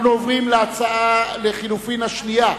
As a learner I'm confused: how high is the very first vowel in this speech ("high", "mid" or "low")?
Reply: high